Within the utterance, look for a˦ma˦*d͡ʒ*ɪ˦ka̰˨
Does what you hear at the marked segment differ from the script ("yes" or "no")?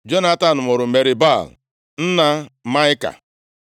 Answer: yes